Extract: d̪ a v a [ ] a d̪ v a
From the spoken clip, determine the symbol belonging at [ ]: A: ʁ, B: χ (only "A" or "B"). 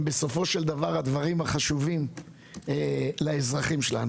A